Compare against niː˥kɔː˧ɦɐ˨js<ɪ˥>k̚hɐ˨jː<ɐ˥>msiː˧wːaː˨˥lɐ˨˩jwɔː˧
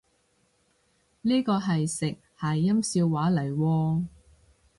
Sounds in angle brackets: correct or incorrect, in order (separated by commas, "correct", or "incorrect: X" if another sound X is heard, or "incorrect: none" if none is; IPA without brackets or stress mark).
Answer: incorrect: ɪ˨, correct